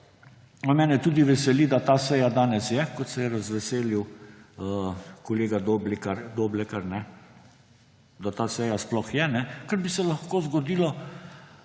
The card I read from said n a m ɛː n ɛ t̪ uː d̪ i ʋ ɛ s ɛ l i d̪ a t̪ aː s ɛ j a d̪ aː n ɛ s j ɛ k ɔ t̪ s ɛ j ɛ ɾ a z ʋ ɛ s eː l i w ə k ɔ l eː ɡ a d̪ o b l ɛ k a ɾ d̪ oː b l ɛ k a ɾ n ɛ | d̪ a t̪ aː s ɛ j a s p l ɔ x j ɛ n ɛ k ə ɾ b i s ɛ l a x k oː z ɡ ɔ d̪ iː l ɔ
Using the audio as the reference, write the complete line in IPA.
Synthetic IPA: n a m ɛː n ɛ t̪ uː d̪ i ʋ ɛ s ɛ l i d̪ a t̪ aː s ɛ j a d̪ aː n ɛ s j ɛ k ɔ t̪ s ɛ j ɛ ɾ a z ʋ ɛ s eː l i w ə k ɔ l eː ɡ a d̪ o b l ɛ k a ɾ d̪ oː b l ɛ k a ɾ n ɛ | d̪ a t̪ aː s ɛ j a s p l ɔ x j ɛ n ɛ k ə ɾ b i s ɛ l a x k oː z ɡ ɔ d̪ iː l ɔ